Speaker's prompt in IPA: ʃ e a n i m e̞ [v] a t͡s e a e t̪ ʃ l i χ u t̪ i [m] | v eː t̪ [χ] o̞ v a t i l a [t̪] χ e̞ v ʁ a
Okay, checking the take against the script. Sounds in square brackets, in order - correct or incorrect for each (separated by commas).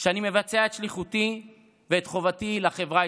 correct, incorrect, correct, incorrect